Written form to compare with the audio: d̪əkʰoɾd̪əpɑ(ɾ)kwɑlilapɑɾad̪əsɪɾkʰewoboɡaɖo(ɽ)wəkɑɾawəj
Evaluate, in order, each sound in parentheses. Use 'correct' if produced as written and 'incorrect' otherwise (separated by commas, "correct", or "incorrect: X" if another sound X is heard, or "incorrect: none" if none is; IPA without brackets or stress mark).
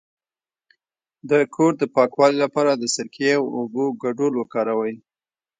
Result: incorrect: none, incorrect: l